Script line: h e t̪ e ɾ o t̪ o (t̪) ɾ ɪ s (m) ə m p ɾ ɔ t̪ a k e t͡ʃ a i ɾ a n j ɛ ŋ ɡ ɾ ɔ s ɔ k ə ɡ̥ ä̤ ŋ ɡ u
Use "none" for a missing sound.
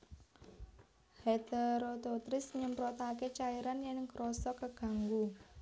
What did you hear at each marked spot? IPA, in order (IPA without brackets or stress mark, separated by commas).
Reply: t̪, ɲ